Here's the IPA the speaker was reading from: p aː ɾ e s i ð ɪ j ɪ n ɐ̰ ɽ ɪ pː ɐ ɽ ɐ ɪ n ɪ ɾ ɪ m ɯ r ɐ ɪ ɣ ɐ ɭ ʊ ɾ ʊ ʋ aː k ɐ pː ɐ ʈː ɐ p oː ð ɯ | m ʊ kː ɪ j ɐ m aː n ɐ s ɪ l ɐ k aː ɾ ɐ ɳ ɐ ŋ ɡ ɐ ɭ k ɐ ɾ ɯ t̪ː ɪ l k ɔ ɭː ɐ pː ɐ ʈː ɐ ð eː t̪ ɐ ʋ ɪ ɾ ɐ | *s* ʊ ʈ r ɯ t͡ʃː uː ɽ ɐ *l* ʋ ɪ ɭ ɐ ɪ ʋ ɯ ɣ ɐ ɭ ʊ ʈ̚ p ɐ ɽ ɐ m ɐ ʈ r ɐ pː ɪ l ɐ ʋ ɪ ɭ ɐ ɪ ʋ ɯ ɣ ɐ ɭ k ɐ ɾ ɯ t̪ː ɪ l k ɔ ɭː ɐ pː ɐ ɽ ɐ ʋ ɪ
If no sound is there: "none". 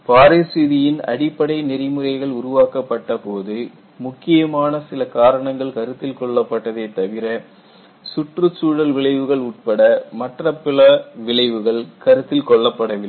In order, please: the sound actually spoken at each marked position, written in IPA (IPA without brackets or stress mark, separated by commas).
s, l